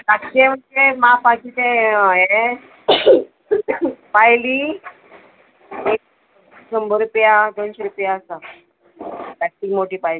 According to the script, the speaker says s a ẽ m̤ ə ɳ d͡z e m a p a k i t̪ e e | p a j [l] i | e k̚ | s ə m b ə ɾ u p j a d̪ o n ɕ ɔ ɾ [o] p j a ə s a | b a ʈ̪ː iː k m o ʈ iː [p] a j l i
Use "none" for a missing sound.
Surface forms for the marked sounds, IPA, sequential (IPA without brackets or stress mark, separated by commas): l, u, p